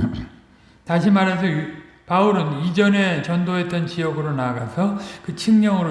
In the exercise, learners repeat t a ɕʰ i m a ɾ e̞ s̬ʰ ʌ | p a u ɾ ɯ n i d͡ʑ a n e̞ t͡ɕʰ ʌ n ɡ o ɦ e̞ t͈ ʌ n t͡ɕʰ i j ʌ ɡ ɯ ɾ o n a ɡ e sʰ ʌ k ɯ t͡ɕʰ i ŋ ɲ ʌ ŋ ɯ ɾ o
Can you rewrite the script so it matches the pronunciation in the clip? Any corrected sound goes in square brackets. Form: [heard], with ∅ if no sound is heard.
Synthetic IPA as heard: t a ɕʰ i m a ɾ e̞ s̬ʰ ʌ | p a u ɾ ɯ n i d͡ʑ [ʌ] n e̞ [t͡ɕ] ʌ n [d] o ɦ e̞ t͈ ʌ n [t͡ɕ] i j ʌ ɡ ɯ ɾ o n a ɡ [a] sʰ ʌ k ɯ t͡ɕʰ i ŋ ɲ ʌ ŋ ɯ ɾ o